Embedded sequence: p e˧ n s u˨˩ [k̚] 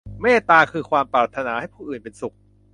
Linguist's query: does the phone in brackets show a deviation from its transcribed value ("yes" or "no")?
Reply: no